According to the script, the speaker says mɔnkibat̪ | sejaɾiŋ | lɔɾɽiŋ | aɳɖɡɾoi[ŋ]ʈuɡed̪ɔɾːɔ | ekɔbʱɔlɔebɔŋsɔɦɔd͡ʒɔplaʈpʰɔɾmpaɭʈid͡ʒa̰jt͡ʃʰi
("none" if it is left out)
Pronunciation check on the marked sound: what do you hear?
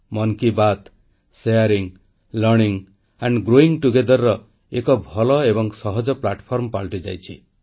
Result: ŋ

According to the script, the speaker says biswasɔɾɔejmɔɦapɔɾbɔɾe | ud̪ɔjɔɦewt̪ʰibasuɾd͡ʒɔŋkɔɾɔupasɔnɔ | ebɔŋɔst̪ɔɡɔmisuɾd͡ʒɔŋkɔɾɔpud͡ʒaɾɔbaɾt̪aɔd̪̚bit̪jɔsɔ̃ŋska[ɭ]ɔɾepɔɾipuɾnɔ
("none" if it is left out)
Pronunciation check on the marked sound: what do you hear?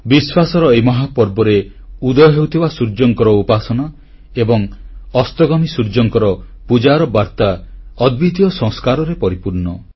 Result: ɾ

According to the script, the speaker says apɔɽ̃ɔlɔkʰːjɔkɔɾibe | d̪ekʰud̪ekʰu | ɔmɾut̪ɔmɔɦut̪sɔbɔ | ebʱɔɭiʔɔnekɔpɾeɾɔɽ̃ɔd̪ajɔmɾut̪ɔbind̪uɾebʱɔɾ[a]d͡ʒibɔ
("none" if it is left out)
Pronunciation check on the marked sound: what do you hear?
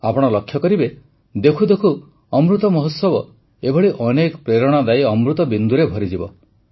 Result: i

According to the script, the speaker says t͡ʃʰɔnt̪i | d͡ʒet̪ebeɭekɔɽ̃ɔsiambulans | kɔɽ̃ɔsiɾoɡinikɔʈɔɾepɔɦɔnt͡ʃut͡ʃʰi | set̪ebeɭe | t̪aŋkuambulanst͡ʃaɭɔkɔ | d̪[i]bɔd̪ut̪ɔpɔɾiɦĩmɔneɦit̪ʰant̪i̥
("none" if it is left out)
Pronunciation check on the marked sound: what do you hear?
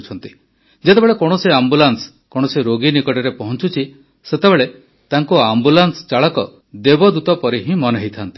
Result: e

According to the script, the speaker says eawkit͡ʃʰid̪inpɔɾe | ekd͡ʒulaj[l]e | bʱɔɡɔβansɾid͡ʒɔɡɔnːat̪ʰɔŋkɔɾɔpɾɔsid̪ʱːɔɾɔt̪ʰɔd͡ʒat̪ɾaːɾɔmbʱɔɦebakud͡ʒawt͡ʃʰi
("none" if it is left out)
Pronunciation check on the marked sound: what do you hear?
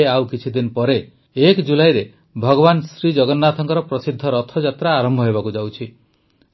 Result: ɾ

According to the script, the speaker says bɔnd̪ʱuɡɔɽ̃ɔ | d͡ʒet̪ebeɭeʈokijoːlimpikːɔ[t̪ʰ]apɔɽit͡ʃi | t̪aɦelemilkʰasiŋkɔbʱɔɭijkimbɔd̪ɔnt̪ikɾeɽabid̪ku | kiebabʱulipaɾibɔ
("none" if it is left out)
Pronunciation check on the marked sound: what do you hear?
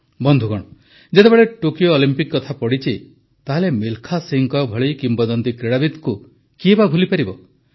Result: t̪ʰ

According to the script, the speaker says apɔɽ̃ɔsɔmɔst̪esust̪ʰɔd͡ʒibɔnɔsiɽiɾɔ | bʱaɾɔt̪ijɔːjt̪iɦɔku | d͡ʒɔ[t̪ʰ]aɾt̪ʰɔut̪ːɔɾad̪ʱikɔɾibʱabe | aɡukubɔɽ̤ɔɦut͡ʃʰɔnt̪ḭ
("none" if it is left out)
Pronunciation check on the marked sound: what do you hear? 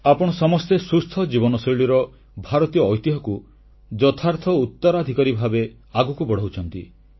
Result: t̪ʰ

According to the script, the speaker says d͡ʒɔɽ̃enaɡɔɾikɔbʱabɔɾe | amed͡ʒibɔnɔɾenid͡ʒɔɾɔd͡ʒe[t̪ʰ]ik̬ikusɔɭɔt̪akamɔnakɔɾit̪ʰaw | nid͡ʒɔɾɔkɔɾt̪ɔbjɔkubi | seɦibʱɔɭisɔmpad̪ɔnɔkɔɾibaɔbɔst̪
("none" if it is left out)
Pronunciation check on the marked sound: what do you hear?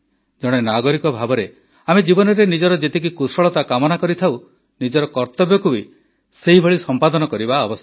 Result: t̪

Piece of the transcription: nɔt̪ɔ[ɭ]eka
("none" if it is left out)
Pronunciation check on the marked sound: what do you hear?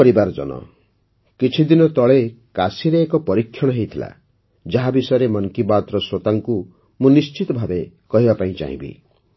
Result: ɭ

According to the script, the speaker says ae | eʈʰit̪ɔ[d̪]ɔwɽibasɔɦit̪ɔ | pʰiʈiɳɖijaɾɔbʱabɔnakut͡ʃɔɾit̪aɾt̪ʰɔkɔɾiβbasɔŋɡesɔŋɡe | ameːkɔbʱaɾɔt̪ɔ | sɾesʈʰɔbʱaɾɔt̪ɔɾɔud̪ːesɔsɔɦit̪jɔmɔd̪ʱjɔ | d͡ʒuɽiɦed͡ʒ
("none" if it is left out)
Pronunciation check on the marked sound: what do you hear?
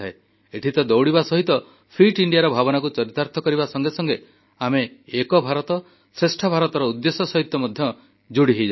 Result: d̪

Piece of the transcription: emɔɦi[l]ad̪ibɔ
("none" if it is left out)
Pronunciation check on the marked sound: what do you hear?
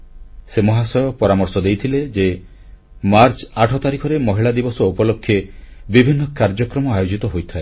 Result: ɭ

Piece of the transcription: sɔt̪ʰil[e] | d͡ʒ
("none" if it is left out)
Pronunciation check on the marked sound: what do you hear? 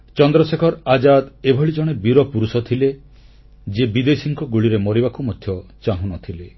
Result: e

